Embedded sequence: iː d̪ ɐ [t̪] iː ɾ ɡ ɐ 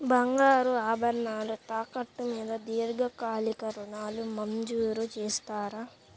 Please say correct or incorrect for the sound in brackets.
incorrect